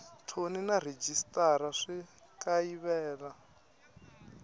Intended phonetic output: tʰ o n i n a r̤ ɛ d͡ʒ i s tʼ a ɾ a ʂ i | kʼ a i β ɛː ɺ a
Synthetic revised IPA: tʰ o n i n a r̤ e d͡ʒ i s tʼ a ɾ a ʂ i | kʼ a i β ɛː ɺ a

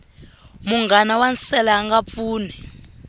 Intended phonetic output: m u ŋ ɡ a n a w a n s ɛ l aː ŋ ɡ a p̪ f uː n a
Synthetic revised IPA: m u ŋ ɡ a n a w a n s ɛ l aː ŋ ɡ a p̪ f uː n ɛ

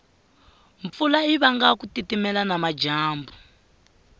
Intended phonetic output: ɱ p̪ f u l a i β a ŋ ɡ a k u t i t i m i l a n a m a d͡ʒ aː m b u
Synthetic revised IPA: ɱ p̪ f u l a i β a ŋ ɡ a k u t i t i m ɛ l a n a m a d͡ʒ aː m b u

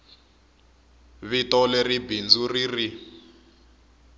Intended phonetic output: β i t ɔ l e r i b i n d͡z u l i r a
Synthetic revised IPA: β i t ɔ l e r i b i n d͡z u r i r i

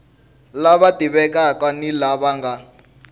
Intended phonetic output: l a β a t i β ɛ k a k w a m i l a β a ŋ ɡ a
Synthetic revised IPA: l a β a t i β ɛ k a k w a n i l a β a ŋ ɡ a

